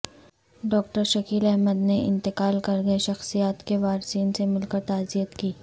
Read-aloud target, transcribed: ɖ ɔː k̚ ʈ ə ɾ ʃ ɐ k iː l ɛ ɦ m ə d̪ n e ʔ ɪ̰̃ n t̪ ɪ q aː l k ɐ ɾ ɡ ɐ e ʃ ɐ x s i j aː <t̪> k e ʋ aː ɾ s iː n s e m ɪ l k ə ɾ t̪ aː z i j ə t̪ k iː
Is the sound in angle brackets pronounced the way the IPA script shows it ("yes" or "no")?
yes